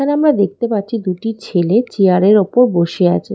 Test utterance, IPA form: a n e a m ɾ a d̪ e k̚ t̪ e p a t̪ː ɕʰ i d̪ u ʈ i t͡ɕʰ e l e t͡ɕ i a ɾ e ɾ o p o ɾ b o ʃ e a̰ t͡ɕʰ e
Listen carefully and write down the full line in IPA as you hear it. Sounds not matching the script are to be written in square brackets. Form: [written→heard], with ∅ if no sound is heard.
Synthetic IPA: a n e a m ɾ a d̪ e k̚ t̪ e p a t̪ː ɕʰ i d̪ u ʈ i t͡ɕʰ e l e t͡ɕ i a ɾ e ɾ o p o ɾ b o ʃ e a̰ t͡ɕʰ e